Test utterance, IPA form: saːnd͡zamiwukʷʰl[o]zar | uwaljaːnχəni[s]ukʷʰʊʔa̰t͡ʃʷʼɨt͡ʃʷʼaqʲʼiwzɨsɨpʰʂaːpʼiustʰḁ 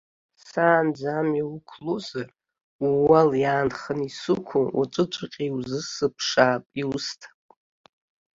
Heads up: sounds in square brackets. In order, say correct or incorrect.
correct, correct

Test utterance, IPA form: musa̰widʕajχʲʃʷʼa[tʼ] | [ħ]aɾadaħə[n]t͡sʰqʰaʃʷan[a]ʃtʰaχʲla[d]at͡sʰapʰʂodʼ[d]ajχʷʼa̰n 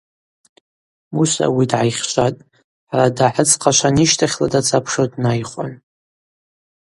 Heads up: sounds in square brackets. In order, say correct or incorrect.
correct, correct, incorrect: none, incorrect: i, correct, incorrect: n

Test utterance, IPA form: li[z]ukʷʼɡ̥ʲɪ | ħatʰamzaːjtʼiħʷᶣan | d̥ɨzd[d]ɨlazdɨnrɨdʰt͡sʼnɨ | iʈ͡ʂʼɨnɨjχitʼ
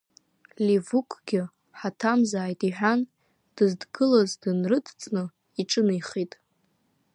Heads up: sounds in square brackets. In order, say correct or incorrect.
incorrect: v, incorrect: ɡ

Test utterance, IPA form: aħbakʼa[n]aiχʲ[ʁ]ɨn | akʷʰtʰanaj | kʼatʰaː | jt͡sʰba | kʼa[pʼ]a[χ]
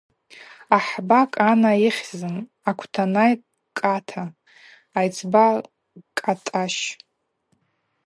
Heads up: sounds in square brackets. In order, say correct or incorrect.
correct, incorrect: z, incorrect: tʼ, incorrect: ʃ

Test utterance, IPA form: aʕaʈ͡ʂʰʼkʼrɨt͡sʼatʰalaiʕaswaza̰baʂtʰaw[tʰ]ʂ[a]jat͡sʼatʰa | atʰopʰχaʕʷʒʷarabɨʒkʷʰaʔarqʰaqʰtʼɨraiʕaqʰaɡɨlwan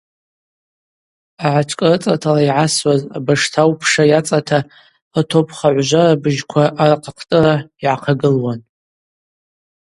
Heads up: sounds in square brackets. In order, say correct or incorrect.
incorrect: pʰ, correct

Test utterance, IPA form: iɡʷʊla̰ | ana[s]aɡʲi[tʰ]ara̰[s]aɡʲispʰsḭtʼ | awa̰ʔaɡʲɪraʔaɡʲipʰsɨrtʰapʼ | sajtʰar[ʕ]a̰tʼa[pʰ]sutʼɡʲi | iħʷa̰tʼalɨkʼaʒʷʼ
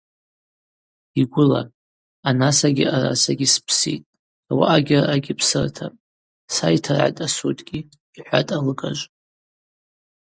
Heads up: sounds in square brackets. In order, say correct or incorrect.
correct, incorrect: none, correct, correct, incorrect: none

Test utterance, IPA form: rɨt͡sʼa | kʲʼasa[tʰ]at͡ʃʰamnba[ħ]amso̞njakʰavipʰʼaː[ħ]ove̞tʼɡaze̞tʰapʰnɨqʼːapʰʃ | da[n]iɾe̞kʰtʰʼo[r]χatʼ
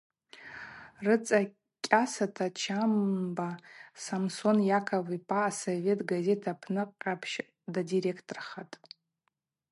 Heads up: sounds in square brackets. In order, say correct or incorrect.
correct, incorrect: s, incorrect: s, incorrect: d, correct

